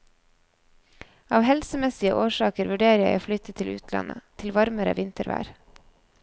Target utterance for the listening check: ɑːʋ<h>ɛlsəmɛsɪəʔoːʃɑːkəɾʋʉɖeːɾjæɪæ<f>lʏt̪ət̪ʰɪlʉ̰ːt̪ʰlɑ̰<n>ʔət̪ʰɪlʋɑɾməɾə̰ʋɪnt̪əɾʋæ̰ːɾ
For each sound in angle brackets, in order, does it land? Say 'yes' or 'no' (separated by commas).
yes, yes, yes